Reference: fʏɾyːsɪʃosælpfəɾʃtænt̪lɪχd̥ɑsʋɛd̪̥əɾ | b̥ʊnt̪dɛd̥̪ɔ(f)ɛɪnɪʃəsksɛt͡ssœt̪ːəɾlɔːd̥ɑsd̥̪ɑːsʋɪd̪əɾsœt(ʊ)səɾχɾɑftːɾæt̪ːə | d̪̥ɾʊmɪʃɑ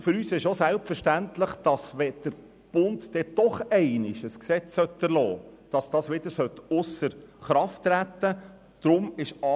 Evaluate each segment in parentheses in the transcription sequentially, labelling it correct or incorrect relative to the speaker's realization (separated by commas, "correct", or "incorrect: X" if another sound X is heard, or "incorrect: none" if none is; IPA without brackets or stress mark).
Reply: incorrect: χ, correct